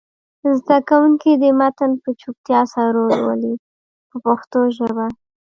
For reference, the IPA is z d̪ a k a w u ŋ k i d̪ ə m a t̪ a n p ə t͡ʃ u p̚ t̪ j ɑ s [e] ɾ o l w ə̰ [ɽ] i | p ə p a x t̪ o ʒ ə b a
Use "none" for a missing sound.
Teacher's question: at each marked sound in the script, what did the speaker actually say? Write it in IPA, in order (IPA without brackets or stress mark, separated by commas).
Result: a, l